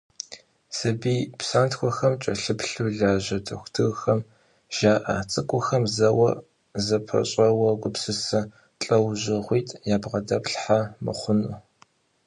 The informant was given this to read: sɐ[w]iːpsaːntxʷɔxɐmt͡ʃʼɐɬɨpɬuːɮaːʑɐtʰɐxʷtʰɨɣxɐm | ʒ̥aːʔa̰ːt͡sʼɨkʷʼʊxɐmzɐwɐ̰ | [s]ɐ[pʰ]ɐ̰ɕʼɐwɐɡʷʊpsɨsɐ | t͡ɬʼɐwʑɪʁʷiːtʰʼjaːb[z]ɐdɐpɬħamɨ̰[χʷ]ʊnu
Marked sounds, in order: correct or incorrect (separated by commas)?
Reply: incorrect, incorrect, correct, incorrect, correct